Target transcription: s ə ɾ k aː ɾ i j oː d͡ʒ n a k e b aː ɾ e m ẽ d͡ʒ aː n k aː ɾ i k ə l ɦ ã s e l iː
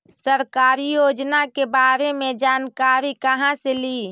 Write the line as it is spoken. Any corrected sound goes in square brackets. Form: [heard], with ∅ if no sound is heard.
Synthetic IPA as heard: s ə ɾ k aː ɾ i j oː d͡ʒ n a k e b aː ɾ e m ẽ d͡ʒ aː n k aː ɾ i k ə [∅] ɦ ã s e l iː